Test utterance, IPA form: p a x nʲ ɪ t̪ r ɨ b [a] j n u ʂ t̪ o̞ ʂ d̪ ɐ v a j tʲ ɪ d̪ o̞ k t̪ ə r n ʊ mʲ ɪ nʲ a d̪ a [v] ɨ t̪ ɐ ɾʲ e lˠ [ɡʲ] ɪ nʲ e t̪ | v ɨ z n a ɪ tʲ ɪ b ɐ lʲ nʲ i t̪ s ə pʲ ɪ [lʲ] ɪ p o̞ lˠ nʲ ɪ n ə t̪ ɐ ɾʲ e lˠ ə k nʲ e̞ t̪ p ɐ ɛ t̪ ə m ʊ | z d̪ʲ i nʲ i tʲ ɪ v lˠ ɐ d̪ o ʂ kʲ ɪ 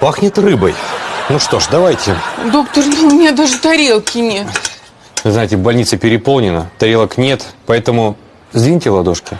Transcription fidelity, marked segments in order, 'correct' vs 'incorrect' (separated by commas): incorrect, incorrect, incorrect, incorrect